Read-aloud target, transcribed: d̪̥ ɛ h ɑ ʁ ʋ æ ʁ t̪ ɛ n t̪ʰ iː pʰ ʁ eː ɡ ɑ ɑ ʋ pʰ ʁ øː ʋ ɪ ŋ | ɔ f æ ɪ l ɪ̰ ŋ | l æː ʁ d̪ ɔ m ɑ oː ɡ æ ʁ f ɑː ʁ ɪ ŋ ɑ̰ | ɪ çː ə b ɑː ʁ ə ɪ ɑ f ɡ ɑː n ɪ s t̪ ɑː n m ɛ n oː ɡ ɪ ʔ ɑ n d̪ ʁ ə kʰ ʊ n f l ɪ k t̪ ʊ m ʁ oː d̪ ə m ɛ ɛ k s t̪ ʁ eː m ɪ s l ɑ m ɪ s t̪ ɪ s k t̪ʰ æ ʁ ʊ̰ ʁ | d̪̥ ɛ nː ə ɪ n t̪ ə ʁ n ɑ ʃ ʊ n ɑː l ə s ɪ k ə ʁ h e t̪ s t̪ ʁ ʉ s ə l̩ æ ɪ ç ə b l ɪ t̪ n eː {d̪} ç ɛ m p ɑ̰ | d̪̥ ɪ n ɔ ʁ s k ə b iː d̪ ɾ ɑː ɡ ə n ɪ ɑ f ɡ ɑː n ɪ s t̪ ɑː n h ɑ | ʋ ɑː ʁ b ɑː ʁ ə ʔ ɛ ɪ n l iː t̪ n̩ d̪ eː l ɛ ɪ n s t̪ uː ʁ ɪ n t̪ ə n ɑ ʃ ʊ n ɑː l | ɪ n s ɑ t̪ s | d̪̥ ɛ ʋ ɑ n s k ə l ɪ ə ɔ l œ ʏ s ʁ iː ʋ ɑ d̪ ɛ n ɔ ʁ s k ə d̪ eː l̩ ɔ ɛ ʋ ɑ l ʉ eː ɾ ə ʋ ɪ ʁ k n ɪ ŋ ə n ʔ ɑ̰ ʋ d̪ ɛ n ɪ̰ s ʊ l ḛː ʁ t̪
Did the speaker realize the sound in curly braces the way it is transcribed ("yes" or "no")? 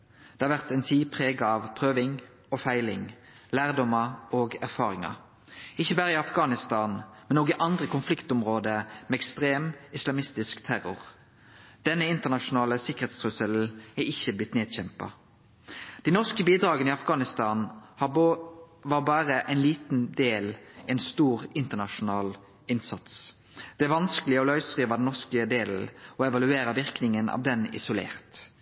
yes